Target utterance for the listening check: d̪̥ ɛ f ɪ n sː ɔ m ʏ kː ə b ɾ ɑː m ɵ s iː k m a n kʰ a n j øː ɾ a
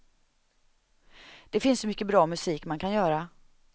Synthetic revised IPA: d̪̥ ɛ f ɪ n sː ɔ m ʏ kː ə b ɾ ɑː m ɵ s iː k m a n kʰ a n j œː ɾ a